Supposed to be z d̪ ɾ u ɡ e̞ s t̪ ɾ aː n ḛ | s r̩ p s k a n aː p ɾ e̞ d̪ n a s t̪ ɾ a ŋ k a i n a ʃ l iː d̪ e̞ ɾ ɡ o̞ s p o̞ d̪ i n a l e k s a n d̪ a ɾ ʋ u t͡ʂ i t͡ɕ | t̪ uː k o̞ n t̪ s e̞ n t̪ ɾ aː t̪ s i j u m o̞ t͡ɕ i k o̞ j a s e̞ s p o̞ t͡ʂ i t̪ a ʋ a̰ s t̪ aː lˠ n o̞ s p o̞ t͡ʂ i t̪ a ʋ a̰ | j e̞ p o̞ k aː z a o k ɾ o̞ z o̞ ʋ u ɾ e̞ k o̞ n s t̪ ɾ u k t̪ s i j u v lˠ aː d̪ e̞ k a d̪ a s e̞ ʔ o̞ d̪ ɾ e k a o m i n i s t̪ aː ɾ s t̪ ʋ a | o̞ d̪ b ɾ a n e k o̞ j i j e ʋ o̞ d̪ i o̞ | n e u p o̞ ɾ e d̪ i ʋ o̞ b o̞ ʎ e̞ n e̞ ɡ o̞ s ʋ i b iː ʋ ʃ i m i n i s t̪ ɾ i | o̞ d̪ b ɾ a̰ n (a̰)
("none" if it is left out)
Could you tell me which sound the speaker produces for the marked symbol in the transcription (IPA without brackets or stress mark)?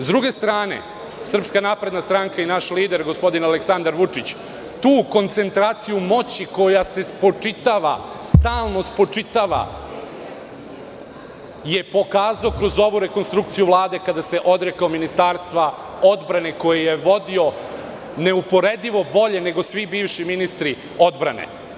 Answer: ḛ